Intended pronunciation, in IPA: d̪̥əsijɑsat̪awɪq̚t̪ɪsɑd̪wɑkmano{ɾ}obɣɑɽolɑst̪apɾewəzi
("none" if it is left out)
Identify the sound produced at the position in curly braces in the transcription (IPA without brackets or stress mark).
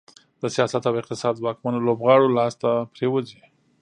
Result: l